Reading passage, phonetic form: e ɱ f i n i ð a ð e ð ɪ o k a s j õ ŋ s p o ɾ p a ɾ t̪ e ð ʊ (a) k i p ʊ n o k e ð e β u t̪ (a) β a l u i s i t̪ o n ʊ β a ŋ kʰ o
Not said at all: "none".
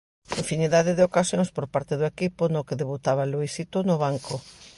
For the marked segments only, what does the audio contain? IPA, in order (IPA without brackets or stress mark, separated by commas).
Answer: e, a